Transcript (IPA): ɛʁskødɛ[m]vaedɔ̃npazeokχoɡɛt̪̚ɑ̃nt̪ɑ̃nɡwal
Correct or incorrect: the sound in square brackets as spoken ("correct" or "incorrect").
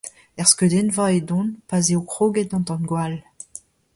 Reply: incorrect